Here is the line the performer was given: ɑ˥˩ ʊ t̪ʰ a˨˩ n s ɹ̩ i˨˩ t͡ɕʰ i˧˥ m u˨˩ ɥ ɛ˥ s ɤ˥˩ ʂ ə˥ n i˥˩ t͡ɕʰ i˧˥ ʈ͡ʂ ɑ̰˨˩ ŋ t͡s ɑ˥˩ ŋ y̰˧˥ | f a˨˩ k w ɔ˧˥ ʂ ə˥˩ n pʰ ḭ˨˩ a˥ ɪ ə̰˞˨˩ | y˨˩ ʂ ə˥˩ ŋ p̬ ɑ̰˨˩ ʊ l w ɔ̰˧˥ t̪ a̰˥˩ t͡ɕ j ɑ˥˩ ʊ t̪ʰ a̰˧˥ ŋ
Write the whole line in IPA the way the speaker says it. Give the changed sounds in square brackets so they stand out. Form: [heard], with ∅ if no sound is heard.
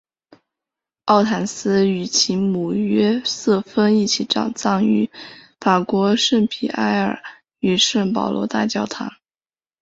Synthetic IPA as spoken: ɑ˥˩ ʊ t̪ʰ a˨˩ n s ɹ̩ [y˨˩] t͡ɕʰ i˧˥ m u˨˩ ɥ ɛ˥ s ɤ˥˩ [f] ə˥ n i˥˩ t͡ɕʰ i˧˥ ʈ͡ʂ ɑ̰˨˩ ŋ t͡s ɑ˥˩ ŋ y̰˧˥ | f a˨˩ k w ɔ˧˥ ʂ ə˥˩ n pʰ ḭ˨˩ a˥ ɪ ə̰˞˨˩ | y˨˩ ʂ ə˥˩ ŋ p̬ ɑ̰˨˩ ʊ l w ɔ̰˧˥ t̪ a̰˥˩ t͡ɕ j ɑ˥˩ ʊ t̪ʰ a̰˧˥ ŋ